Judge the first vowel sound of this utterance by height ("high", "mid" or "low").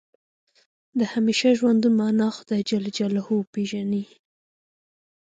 mid